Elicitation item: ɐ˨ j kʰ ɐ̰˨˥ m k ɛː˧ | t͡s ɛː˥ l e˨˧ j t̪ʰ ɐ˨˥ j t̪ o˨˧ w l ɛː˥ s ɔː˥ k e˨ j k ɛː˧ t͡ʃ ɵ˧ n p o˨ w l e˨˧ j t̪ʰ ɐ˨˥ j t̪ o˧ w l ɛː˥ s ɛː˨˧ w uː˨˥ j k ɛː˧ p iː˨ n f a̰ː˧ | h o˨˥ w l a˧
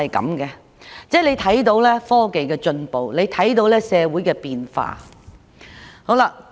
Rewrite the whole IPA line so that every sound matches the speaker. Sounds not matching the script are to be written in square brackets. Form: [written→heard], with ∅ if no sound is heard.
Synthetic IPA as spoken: ɐ˨ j [kʰ→k] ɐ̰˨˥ m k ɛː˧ | t͡s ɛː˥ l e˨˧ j t̪ʰ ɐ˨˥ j t̪ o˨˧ w l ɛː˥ [s→f] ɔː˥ k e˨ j k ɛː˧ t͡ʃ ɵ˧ n p o˨ w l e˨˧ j t̪ʰ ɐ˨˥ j t̪ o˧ w l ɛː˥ s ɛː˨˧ w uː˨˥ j k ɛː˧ p iː˨ n f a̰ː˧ | h o˨˥ w l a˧